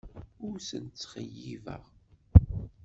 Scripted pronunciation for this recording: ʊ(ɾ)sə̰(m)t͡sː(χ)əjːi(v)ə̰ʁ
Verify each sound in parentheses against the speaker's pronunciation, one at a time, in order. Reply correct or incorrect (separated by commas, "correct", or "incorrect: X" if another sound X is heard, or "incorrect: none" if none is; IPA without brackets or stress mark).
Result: correct, incorrect: n, correct, correct